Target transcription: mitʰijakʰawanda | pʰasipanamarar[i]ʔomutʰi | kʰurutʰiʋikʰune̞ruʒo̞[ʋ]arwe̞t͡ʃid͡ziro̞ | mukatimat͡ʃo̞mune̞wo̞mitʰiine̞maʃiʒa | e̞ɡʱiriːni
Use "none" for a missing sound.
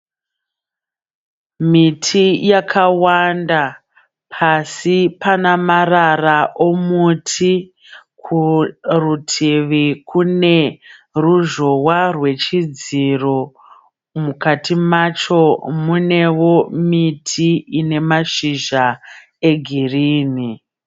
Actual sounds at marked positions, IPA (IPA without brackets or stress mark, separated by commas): a, w